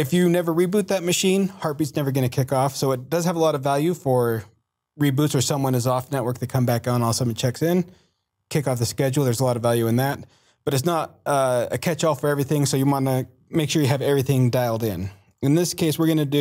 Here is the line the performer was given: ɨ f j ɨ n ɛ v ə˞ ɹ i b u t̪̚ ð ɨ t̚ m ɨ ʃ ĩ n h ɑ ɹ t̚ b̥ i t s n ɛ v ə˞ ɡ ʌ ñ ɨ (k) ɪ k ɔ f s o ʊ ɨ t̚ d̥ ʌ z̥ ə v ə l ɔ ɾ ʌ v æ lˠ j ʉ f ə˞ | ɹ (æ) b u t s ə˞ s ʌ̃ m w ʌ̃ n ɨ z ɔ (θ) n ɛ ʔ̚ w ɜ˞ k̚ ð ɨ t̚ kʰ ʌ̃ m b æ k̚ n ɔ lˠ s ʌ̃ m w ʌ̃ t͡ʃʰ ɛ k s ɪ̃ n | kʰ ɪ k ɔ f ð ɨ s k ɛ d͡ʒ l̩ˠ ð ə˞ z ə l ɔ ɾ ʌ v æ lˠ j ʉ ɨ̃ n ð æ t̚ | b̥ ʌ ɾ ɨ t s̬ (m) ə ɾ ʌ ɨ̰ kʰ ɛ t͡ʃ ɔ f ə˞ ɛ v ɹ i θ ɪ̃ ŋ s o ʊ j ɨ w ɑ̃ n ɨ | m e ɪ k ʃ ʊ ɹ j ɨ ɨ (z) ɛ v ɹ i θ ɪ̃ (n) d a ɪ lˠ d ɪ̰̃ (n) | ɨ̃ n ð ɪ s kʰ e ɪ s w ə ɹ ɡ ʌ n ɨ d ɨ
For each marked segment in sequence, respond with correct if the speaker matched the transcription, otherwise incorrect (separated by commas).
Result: incorrect, incorrect, incorrect, incorrect, incorrect, incorrect, correct